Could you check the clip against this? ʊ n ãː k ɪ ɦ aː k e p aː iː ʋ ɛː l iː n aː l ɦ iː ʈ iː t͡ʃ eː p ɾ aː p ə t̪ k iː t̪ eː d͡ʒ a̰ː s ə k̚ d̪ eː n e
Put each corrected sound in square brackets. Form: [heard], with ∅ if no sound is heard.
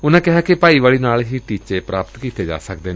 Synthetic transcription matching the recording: ʊ n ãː k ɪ ɦ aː k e p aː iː ʋ [aː] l iː n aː l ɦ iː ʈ iː t͡ʃ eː p ɾ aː p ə t̪ k iː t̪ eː d͡ʒ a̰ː s ə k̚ d̪ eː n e